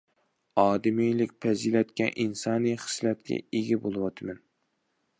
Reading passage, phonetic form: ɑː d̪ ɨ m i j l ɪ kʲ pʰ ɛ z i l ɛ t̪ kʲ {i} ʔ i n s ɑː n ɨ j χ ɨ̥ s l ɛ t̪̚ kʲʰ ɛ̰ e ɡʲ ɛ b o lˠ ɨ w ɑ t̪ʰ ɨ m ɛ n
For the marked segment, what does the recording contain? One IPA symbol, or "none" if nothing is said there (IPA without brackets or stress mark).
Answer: ɛ